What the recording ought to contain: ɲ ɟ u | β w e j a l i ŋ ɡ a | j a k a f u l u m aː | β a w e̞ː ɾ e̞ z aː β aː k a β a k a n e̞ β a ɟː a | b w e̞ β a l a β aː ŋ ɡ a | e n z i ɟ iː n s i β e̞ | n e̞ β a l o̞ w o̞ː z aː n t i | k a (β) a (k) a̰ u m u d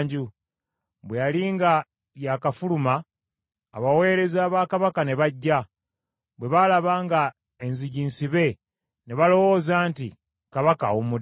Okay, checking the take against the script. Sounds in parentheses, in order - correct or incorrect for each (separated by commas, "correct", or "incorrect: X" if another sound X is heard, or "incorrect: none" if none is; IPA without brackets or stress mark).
correct, correct